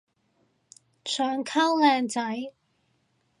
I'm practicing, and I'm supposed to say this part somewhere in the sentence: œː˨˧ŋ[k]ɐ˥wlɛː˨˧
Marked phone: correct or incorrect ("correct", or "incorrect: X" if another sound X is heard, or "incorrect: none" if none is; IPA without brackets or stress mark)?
incorrect: kʰ